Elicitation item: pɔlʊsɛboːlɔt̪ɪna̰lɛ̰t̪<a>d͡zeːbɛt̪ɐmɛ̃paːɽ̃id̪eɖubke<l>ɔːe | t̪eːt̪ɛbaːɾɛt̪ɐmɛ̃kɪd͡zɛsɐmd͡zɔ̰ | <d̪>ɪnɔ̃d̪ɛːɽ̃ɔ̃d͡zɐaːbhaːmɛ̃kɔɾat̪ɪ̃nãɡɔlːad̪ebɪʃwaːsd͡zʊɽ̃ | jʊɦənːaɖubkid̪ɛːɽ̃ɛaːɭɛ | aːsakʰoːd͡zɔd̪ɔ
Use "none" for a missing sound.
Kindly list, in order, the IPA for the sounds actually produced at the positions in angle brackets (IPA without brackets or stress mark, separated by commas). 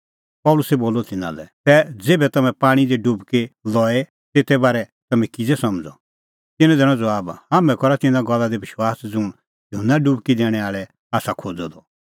ɛ, l, t̪